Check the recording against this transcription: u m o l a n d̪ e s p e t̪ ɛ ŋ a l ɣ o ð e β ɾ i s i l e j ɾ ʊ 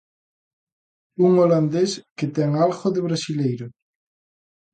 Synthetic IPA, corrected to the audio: u ŋ o l a n d̪ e s k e t̪ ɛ ŋ a l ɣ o ð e β ɾ a s i l e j ɾ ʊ

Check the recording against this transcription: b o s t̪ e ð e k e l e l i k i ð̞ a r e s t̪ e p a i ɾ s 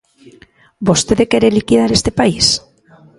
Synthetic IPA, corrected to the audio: b o s t̪ e ð e k e ɾ e l i k i ð̞ a ɾ e s t̪ e p a i s

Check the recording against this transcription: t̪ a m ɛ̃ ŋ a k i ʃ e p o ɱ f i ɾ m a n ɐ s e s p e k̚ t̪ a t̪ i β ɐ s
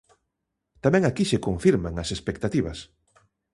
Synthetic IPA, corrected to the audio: t̪ a m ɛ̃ ŋ a k i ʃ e k o ɱ f i ɾ m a ŋ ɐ s e s p e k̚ t̪ a t̪ i β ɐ s

